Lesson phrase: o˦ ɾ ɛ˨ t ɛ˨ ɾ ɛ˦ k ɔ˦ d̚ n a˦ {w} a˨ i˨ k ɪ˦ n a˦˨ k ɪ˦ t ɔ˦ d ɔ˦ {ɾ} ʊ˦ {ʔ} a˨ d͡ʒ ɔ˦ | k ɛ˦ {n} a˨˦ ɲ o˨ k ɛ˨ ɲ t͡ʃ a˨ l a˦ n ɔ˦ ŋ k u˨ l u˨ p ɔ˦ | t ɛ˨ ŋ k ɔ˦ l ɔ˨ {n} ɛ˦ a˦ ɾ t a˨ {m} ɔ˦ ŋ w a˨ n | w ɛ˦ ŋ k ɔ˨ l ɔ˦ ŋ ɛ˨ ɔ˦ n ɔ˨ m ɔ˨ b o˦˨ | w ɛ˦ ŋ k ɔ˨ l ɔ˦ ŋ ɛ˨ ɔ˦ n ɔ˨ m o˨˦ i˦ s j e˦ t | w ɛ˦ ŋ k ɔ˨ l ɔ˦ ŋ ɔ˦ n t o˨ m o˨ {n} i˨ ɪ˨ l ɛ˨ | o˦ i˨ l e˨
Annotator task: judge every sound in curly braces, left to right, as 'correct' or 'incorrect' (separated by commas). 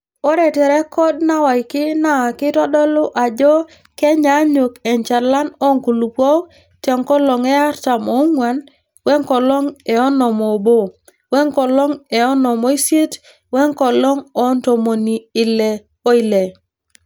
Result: correct, incorrect, correct, incorrect, incorrect, correct, correct